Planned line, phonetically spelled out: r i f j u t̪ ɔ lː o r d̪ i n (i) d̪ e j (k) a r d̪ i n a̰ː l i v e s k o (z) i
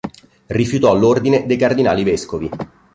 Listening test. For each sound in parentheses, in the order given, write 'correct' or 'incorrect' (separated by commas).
incorrect, correct, incorrect